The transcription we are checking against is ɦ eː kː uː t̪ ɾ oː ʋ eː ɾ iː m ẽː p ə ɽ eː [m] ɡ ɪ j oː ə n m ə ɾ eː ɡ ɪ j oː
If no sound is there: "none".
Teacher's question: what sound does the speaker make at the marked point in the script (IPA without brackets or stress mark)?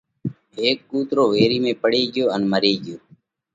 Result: none